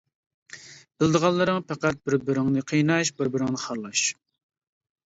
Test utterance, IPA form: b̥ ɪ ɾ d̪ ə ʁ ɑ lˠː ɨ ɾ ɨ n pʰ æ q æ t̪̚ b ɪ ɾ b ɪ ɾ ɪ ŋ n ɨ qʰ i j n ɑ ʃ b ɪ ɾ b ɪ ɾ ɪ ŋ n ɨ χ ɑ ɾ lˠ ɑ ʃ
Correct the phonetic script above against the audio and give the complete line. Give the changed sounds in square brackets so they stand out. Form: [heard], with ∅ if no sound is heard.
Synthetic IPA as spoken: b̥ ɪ [l] d̪ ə ʁ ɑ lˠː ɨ ɾ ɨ [ŋ] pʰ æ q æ t̪̚ b ɪ ɾ b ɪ ɾ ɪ ŋ n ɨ qʰ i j n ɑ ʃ b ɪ ɾ b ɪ ɾ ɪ ŋ n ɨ χ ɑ ɾ lˠ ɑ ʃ